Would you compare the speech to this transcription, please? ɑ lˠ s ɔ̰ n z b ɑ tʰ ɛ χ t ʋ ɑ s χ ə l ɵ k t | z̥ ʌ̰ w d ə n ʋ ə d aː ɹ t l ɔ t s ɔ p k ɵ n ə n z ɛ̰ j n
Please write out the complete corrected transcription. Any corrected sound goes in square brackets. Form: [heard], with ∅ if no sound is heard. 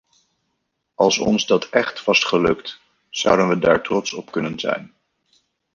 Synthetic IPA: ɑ lˠ s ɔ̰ n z [d] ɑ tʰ ɛ χ t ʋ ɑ s χ ə l ɵ k t | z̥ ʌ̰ w d ə n ʋ ə d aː ɹ t [r] ɔ t s ɔ p k ɵ n ə n z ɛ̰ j n

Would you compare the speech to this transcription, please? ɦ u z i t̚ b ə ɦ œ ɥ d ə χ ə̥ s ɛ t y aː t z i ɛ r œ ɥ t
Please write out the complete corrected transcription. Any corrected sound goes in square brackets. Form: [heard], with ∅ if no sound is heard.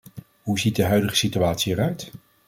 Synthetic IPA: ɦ u z i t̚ [d] ə ɦ œ ɥ d ə χ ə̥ s [i] t y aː t [s] i ɛ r œ ɥ t

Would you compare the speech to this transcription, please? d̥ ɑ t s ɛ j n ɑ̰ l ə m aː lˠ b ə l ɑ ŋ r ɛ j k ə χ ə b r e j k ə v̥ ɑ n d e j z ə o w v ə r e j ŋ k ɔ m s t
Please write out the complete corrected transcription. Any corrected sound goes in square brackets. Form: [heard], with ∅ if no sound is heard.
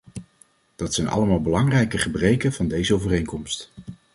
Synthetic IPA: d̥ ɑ t s ɛ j n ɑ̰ l ə m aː lˠ b ə l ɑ ŋ r ɛ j k ə χ ə b r e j k ə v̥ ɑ n d e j z ə o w v ə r e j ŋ k ɔ m s t

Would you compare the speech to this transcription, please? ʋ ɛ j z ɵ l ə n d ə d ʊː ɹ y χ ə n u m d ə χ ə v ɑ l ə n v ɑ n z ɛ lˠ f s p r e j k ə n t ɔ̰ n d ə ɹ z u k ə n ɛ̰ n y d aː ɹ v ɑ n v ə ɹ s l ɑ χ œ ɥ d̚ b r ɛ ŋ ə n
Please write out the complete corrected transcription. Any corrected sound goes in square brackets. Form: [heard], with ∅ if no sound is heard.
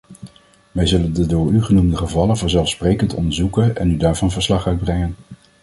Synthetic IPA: ʋ ɛ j z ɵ l ə n d ə d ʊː ɹ y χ ə n u m d ə χ ə v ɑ l ə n v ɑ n z ɛ lˠ f s p r e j k ə n t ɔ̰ n d ə ɹ z u k ə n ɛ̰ n y d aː ɹ v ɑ n v ə ɹ s l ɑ χ œ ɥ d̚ b r ɛ ŋ ə n

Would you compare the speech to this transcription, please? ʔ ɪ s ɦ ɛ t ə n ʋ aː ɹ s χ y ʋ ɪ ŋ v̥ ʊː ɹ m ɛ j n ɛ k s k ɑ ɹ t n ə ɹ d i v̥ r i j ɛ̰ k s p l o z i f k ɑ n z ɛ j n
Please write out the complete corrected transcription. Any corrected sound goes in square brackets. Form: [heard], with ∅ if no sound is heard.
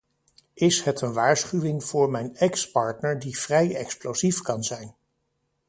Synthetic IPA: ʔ ɪ s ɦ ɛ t ə n ʋ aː ɹ s χ y ʋ ɪ ŋ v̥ ʊː ɹ m ɛ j n ɛ k s [p] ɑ ɹ t n ə ɹ d i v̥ r [ɛ] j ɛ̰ k s p l o z i f k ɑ n z ɛ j n

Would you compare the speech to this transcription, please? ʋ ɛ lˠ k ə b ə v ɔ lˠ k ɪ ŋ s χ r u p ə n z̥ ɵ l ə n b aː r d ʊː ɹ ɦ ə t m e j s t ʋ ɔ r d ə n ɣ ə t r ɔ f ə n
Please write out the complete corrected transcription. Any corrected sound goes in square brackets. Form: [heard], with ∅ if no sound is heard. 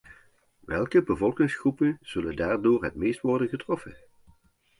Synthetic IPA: ʋ ɛ lˠ k ə b ə v ɔ lˠ k ɪ ŋ s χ r u p ə n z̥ ɵ l ə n [d] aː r d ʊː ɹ ɦ ə t m e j s t ʋ ɔ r d ə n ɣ ə t r ɔ f ə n

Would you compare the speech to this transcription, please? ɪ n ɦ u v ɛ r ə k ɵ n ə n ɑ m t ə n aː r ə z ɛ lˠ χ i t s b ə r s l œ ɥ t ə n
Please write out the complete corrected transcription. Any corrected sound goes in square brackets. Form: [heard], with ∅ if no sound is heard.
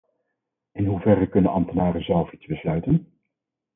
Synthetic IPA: ɪ n ɦ u v ɛ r ə k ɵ n ə n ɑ m t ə n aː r ə z ɛ lˠ [f] i t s b ə [∅] s l œ ɥ t ə n

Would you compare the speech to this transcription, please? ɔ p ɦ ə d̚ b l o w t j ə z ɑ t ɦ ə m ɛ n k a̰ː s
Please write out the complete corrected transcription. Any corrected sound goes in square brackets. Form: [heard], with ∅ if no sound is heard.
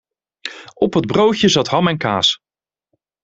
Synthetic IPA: ɔ p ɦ ə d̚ b [r] o w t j ə z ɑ t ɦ [ɑ] m ɛ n k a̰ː s

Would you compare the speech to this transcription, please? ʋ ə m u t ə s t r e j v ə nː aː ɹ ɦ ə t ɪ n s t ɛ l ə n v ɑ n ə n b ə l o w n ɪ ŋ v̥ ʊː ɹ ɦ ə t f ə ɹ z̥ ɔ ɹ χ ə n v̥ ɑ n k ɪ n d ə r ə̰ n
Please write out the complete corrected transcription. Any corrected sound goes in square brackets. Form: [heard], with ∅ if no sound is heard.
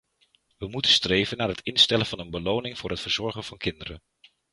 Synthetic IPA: ʋ ə m u t ə s t r e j v ə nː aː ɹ ɦ ə t ɪ n s t ɛ l ə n v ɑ n ə n b ə l o w n ɪ ŋ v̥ ʊː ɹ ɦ ə t f ə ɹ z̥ ɔ ɹ χ ə n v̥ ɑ n k ɪ n d ə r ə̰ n

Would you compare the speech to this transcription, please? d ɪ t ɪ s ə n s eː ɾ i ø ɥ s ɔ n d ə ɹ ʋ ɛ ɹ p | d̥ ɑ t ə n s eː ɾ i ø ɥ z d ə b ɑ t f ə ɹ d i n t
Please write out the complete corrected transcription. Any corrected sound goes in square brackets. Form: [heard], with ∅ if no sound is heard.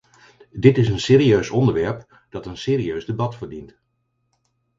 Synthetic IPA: d ɪ t ɪ s ə n s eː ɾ i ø ɥ s ɔ n d ə ɹ ʋ ɛ ɹ p | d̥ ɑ t ə n s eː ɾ i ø ɥ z d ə b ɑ t f ə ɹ d i n t

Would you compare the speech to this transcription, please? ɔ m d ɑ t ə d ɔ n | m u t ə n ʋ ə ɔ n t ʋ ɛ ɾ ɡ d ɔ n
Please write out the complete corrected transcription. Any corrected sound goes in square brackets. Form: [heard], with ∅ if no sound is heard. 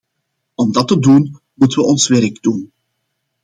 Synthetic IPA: ɔ m d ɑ t ə d [u] n | m u t ə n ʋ ə ɔ n [s] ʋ ɛ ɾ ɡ d [u] n

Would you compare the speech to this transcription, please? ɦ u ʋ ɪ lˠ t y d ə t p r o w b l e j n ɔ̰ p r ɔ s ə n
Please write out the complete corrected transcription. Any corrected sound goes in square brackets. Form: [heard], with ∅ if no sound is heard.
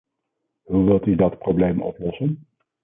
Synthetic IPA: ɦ u ʋ ɪ lˠ t y d [ɑ] t p r o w b l e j [m] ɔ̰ p [l] ɔ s ə n

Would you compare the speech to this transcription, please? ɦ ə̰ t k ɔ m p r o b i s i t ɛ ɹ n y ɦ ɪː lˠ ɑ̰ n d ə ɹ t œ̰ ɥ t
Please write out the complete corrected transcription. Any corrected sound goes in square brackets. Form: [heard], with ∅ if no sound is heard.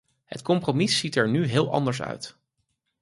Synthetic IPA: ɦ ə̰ t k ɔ m p r o [m] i s i t ɛ ɹ n y ɦ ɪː lˠ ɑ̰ n d ə ɹ [s] œ̰ ɥ t

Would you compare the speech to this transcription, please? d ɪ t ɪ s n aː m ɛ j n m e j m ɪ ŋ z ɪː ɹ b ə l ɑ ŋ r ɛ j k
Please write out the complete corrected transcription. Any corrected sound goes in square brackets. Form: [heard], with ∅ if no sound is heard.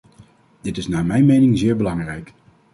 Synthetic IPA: d ɪ t ɪ s n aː m ɛ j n m e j [n] ɪ ŋ z ɪː ɹ b ə l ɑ ŋ r ɛ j k

